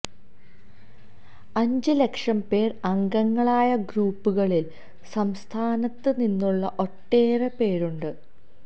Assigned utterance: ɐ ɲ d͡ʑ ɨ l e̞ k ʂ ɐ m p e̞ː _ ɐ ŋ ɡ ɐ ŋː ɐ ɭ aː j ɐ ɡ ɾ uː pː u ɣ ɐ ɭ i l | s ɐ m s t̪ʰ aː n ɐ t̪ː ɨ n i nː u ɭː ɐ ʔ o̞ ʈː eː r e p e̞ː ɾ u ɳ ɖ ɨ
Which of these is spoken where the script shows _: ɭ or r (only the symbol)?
r